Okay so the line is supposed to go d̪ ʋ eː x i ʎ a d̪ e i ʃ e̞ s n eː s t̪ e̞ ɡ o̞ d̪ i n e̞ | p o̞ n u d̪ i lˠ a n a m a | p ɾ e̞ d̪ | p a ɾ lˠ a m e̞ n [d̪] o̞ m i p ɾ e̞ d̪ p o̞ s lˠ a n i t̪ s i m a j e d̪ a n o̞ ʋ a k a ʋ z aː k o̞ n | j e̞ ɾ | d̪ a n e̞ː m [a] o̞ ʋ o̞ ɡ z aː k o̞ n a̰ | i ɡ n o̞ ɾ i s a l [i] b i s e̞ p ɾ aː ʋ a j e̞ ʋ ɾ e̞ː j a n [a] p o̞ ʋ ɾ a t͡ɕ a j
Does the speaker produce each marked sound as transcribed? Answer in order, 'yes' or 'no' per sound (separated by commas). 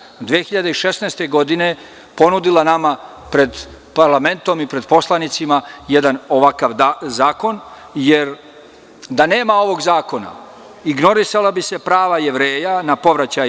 no, yes, no, yes